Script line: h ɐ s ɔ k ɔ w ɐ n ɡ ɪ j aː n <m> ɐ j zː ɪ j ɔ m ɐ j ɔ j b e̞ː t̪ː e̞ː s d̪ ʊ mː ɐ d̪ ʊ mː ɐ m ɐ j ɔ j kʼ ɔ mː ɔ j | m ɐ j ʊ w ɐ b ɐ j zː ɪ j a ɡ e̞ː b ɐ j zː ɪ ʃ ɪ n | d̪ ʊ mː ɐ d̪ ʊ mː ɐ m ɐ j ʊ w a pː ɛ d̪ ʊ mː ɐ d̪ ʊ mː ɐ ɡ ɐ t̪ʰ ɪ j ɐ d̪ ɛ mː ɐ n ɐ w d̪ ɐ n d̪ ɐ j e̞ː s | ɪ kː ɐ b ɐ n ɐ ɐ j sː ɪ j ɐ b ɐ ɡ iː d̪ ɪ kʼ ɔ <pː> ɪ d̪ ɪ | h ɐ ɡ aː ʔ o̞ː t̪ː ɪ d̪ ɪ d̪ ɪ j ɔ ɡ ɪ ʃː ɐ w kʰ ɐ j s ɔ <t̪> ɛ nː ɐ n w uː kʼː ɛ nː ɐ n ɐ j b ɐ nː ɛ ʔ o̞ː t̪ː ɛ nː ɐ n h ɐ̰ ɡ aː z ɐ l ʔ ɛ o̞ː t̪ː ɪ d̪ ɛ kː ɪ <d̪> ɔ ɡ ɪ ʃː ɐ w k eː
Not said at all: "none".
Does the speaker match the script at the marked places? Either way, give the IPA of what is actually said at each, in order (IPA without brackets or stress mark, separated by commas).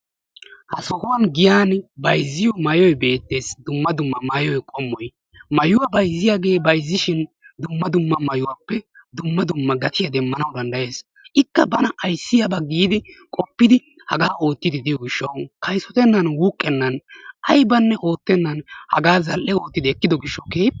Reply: b, pː, t̪, d̪